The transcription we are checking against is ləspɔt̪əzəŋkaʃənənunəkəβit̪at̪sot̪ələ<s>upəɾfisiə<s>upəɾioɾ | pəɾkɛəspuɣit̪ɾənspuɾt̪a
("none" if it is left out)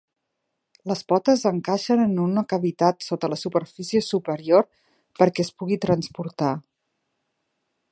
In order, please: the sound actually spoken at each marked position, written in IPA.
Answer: s, s

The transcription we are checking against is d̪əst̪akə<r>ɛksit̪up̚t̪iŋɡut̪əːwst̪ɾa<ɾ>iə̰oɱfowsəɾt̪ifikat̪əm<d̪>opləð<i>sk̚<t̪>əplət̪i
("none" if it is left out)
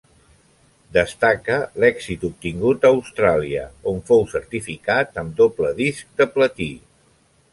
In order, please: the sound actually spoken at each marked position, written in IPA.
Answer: l, l, d̪, i, d̪

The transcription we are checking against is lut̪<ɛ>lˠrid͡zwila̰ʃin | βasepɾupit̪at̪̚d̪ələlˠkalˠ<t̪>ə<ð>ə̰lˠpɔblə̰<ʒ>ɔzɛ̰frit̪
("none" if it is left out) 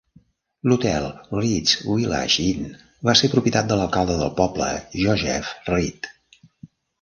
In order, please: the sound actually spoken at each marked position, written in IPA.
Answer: ɛ, d̪, ð, ʒ

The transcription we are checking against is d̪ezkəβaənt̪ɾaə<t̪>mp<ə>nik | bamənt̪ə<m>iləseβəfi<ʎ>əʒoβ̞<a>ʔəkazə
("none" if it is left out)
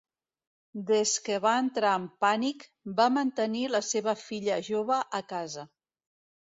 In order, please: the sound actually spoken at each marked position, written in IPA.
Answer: none, a, n, ʎ, ə

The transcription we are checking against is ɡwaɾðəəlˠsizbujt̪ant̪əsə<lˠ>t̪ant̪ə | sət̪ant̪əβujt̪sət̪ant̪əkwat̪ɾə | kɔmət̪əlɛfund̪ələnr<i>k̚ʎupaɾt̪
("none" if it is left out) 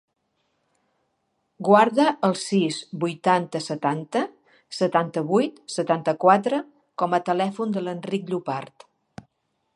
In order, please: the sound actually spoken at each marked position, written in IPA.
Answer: none, i

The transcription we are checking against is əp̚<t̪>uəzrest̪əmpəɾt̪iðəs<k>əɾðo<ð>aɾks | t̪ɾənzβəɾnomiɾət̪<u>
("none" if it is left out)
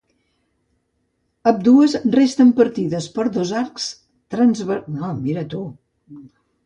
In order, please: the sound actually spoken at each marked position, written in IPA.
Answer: d̪, p, z, u

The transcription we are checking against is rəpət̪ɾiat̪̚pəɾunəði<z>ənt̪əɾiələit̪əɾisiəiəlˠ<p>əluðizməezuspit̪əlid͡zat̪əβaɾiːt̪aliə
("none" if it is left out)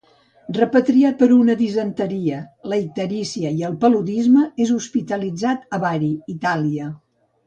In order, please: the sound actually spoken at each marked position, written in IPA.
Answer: z, p

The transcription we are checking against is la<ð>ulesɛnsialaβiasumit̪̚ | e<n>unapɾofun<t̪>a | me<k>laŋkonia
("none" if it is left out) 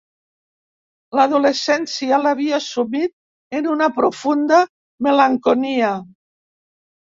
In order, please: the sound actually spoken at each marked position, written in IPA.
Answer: ð, n, d̪, none

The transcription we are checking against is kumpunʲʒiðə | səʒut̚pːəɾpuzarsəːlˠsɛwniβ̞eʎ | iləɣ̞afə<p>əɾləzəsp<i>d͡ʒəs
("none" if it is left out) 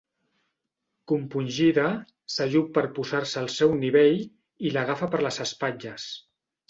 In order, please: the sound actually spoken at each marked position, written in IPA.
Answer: p, a

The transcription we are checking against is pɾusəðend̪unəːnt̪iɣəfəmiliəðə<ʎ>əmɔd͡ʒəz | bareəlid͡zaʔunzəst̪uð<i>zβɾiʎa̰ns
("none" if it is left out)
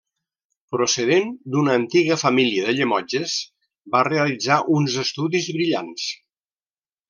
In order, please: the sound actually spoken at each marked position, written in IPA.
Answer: ʎ, i

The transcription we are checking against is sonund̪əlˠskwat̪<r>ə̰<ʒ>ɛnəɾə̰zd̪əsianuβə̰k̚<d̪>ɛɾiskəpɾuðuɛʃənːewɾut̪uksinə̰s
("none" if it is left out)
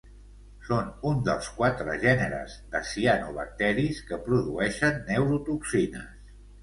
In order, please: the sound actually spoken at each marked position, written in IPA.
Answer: ɾ, ʒ, t̪

